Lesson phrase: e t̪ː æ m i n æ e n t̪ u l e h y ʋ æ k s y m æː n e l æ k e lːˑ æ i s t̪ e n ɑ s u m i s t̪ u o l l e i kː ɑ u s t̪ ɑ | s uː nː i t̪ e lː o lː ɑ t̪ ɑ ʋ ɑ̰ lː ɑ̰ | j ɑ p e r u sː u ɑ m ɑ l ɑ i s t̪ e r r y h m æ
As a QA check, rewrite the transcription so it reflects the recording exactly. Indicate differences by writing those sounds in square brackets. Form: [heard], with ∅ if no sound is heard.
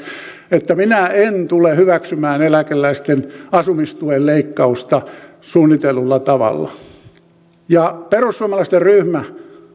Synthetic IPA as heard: e t̪ː æ m i n æ e n t̪ u l e h y ʋ æ k s y m æː n e l æ k e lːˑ æ i s t̪ e n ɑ s u m i s t̪ u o l l e i kː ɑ u s t̪ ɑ | s uː nː i t̪ e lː [u] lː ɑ t̪ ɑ ʋ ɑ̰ lː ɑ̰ | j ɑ p e r u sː u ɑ m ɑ l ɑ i s t̪ e r r y h m æ